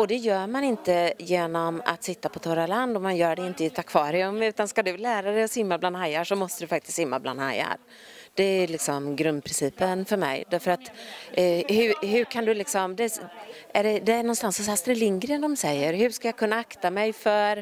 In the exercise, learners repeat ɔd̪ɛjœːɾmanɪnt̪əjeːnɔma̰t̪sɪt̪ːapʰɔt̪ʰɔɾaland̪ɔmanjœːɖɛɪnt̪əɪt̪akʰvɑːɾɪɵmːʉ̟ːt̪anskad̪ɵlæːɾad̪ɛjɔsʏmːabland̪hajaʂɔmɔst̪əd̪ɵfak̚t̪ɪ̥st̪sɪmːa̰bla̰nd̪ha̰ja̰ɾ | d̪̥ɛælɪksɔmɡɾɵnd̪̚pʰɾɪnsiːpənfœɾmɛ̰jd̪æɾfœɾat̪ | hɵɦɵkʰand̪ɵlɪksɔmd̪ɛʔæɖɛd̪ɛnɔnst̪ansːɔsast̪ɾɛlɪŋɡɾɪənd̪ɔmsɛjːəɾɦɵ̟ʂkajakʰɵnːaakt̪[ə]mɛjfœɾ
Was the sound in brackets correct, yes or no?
no